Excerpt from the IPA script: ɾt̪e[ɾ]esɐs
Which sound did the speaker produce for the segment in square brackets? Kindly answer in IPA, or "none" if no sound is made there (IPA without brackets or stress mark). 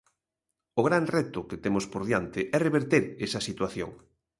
ɾ